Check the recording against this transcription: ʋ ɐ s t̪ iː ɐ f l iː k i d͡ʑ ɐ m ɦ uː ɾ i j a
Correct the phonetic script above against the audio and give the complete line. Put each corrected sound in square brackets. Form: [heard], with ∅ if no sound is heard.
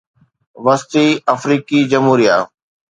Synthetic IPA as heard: ʋ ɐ s t̪ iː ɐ f [ɾ] iː k i d͡ʑ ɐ m ɦ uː ɾ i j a